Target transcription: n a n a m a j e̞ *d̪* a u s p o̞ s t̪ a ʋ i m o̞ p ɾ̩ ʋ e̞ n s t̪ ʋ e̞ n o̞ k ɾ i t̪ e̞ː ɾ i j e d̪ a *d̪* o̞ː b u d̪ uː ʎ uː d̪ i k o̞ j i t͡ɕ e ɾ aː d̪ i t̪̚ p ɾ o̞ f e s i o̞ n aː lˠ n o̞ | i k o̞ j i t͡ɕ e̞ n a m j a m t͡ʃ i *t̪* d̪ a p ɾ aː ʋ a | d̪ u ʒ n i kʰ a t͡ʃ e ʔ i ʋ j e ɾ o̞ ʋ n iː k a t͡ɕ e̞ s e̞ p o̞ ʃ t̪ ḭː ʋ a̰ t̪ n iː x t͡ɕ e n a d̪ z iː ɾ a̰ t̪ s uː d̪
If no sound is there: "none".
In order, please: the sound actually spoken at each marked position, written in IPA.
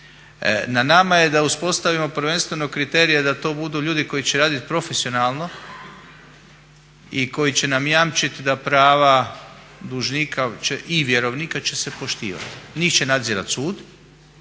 d̪, t̪, t̪

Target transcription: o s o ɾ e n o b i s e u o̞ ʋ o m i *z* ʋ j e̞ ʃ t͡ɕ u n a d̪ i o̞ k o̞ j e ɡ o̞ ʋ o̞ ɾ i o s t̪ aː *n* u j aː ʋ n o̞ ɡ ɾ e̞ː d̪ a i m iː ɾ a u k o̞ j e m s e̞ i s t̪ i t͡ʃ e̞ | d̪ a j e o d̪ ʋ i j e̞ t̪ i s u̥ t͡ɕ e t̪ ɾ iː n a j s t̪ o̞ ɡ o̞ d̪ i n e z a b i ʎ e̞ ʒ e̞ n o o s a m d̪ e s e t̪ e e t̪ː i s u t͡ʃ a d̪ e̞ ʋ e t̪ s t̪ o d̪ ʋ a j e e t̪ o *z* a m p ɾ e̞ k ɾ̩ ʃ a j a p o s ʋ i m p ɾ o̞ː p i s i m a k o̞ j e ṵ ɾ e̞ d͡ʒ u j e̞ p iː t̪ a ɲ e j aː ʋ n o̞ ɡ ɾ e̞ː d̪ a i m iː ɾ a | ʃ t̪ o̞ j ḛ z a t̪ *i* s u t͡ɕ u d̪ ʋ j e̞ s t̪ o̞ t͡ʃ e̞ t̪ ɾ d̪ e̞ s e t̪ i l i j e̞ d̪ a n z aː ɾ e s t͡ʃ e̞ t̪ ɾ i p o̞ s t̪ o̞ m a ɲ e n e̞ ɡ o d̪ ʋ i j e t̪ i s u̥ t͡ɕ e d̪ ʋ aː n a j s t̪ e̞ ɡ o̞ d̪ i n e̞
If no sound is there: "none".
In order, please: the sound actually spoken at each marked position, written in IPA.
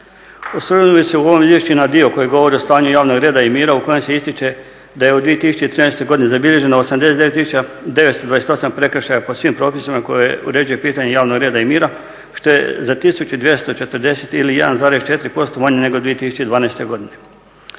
z, ɲ, s, i

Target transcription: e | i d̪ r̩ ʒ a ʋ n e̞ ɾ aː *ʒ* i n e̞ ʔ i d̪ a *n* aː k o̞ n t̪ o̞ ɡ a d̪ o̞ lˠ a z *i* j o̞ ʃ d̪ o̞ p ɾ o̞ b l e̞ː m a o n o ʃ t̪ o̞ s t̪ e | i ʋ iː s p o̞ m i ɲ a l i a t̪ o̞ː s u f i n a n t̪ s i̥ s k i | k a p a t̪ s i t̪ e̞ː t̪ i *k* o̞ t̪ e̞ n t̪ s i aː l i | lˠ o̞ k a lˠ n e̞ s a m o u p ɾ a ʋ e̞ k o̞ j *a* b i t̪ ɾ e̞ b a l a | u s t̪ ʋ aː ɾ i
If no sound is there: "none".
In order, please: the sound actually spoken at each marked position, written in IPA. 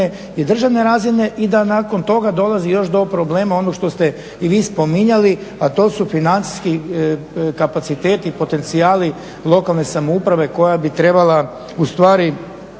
z, n, i, p, a

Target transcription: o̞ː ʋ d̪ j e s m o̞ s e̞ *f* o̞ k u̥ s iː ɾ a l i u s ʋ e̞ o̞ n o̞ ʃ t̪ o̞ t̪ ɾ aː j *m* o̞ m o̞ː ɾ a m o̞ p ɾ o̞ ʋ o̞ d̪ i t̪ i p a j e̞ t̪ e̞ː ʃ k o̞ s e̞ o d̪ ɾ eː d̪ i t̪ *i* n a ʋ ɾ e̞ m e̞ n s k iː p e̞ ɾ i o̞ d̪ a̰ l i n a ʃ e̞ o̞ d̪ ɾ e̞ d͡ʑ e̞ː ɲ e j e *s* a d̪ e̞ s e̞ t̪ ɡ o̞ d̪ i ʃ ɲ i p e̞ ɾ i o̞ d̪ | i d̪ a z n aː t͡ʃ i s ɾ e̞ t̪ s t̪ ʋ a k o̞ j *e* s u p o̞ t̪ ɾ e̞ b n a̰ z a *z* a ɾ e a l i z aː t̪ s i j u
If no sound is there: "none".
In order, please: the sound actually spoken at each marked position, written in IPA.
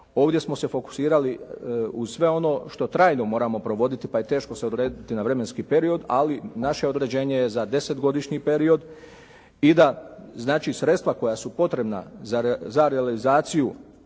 f, n, i, z, a, z

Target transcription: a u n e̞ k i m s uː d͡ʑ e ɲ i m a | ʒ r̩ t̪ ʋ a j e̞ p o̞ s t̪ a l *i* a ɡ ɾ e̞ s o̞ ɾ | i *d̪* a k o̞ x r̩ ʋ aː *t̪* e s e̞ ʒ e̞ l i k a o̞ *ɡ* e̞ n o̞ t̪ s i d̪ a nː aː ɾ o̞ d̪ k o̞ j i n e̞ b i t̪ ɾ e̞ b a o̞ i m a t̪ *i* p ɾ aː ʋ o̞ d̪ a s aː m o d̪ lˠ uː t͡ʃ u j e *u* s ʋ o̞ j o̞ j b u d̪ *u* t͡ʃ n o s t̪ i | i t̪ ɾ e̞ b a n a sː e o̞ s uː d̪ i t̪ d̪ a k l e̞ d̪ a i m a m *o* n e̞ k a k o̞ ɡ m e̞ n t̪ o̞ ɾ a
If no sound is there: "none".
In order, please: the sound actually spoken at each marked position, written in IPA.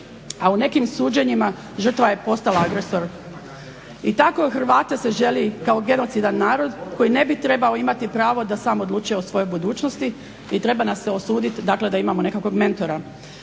a, t̪, t̪, ɡ, i, o, uː, o

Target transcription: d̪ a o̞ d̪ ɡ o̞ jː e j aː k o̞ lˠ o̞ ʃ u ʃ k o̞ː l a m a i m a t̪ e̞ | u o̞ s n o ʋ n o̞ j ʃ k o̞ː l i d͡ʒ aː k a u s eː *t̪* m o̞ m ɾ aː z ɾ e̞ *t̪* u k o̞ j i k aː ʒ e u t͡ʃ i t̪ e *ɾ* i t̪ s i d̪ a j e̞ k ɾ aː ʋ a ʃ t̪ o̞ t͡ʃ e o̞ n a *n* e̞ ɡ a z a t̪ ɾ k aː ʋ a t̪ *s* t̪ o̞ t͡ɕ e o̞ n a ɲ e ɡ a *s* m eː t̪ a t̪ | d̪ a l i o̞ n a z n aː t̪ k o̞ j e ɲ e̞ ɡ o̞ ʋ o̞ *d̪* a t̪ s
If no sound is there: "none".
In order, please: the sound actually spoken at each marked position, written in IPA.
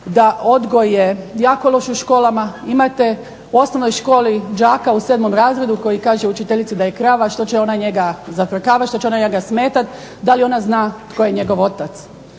d̪, d̪, ʎ, ɲ, ʃ, s, t̪

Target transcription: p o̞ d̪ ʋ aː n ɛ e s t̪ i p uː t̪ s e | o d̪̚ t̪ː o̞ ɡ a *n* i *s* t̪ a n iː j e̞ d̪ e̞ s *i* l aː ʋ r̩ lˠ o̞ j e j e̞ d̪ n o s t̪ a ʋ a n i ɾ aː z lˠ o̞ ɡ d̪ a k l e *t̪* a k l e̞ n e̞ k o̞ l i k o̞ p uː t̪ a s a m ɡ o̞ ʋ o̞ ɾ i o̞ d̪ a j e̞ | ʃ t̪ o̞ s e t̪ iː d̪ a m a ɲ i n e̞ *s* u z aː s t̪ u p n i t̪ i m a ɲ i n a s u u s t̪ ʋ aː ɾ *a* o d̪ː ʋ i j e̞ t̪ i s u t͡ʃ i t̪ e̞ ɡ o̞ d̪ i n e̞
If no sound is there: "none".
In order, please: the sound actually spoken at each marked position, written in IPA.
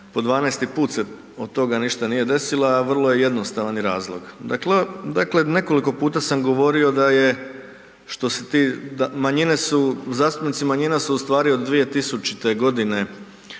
n, ʃ, i, d̪, s, i

